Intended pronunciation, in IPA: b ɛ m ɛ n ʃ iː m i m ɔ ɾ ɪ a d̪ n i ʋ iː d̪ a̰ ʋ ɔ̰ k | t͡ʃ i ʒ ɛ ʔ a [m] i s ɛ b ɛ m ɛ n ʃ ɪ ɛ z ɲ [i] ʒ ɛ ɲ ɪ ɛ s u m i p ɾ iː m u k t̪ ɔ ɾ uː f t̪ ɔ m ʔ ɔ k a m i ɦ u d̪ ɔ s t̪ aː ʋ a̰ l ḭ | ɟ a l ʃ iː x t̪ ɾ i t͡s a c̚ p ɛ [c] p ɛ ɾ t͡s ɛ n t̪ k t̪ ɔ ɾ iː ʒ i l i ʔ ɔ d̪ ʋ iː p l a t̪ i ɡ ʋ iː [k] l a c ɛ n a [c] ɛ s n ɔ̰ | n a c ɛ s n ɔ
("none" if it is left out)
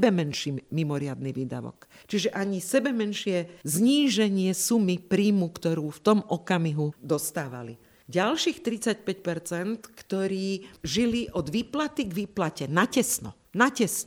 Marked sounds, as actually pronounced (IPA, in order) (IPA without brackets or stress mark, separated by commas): ɲ, iː, c, p, c